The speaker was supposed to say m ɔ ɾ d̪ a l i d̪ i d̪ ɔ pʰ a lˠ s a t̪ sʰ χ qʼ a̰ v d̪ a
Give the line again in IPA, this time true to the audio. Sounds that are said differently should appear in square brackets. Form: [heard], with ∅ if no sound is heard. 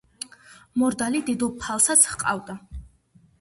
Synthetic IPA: m ɔ ɾ d̪ a l i d̪ i d̪ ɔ pʰ a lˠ s a t̪ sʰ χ qʼ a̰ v d̪ a